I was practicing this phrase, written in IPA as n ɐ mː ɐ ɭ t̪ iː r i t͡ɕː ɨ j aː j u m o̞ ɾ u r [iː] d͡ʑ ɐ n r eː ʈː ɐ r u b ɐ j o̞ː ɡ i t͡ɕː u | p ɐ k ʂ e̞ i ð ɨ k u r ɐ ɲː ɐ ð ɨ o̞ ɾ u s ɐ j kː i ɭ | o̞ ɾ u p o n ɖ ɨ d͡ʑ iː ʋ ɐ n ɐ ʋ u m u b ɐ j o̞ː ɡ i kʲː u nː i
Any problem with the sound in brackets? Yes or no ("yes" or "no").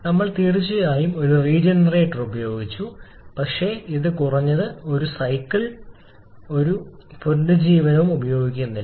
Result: no